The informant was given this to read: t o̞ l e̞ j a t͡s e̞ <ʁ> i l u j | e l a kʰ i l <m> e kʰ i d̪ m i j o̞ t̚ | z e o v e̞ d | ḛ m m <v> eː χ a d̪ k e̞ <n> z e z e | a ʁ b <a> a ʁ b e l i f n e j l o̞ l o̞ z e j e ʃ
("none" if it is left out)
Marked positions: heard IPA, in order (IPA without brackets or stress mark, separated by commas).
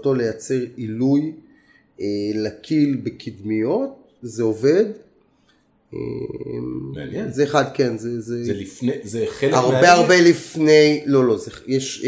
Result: ʁ, b, z, n, e